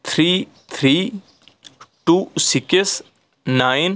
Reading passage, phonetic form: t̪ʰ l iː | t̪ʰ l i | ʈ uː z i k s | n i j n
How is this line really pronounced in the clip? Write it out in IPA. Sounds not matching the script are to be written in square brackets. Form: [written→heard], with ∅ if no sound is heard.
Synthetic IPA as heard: t̪ʰ [l→ɾ] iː | t̪ʰ [l→ɾ] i | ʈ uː [z→s] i k s | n [i→a] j n